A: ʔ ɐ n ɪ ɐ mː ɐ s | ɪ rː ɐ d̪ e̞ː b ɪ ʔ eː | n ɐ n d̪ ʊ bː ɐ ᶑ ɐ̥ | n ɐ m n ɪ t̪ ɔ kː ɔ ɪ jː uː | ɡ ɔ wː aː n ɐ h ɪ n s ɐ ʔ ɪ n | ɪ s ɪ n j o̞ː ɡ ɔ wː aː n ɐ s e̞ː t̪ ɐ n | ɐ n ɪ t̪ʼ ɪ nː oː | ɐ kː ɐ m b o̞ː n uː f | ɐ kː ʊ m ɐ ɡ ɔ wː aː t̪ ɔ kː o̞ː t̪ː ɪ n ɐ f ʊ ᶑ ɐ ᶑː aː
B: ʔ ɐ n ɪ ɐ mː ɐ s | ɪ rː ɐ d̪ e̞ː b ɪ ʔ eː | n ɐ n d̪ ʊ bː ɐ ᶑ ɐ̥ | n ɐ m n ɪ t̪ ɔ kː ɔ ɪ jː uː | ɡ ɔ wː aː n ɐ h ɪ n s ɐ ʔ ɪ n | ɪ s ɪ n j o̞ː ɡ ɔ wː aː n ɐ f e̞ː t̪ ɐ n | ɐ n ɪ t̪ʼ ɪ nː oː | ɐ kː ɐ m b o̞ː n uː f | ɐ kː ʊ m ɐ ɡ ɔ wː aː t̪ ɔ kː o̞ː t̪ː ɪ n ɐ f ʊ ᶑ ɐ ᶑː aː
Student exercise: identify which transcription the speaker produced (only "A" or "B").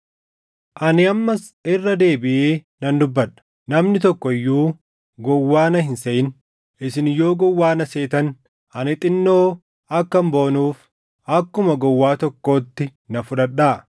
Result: A